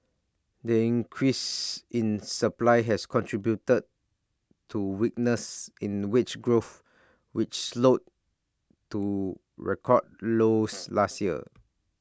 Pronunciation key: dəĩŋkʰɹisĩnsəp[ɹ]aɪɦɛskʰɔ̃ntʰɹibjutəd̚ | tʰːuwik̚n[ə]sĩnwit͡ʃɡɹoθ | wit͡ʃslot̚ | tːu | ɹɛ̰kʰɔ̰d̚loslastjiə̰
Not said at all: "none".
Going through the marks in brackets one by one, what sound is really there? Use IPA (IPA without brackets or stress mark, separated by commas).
l, ə